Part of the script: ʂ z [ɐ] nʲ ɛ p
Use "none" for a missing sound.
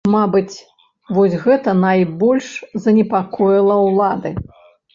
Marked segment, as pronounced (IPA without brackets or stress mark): ɐ